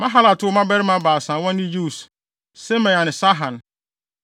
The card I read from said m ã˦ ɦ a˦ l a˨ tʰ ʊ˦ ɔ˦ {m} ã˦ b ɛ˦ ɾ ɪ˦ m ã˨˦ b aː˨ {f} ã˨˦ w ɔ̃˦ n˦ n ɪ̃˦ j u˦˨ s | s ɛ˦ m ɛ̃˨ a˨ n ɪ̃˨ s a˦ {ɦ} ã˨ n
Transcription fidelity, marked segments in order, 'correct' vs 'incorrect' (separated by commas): correct, incorrect, correct